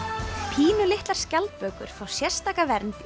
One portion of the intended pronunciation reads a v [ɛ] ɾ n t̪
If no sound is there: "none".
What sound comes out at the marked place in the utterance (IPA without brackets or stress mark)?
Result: ɛ